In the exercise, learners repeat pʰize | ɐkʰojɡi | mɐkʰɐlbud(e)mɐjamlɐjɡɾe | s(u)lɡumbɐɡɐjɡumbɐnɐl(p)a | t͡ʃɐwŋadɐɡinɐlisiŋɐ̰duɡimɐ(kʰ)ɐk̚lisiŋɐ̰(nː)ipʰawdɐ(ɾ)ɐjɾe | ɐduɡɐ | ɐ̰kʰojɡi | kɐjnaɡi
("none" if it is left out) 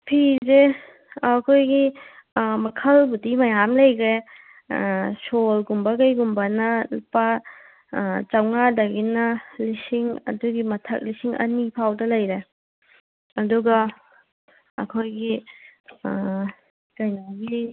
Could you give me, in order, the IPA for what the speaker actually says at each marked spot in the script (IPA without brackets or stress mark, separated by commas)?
i, o, p, tʰ, n, l